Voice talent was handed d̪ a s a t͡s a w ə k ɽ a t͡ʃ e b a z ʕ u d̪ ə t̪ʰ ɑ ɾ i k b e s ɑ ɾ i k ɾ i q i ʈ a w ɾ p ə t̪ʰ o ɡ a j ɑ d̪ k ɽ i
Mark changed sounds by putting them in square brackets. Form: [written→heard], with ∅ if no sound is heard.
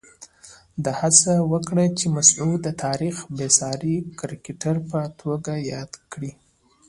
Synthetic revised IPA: d̪ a [s→h] a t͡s a w ə k ɽ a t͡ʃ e [b→m] a [z→s] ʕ u d̪ ə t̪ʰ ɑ ɾ i [k→x] b e s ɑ ɾ i k ɾ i [q→k] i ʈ a [w→∅] ɾ p ə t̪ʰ o ɡ a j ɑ d̪ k ɽ i